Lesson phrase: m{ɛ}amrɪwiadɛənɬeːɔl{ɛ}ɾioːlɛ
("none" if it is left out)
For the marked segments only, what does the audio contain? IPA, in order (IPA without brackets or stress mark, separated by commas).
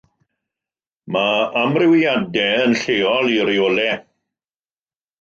a, i